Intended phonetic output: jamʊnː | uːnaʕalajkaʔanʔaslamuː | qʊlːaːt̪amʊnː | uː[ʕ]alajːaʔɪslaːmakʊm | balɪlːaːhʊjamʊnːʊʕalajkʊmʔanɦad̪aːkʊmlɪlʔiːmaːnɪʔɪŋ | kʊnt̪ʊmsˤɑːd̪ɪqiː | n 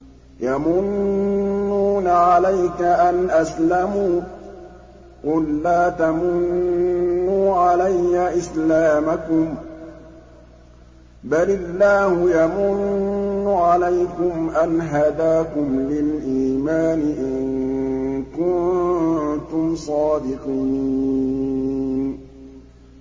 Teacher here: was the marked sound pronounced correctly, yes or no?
yes